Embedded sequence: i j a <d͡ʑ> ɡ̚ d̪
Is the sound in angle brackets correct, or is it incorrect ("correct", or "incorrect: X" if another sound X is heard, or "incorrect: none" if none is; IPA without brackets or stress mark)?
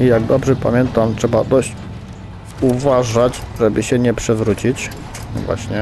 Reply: incorrect: none